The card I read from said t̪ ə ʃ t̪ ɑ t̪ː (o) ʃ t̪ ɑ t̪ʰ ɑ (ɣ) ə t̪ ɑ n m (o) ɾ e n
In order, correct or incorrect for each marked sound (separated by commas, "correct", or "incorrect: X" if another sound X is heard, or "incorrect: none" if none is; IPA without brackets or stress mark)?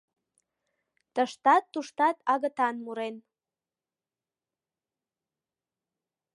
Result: incorrect: u, correct, incorrect: u